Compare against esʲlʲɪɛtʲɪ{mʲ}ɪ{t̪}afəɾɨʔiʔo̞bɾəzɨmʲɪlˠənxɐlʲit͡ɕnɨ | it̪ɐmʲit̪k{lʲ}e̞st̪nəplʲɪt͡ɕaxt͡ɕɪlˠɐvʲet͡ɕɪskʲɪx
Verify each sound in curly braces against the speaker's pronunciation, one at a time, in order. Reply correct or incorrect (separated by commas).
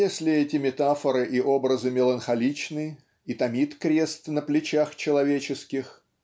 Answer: correct, correct, incorrect